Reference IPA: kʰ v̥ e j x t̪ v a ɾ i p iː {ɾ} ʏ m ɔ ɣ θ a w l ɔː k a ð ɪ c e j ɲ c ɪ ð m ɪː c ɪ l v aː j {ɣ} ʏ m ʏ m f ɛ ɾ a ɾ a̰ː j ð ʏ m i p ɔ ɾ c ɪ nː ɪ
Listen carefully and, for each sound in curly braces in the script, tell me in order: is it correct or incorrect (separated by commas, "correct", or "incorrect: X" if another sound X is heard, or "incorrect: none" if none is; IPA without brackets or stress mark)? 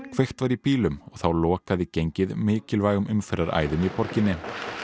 incorrect: l, correct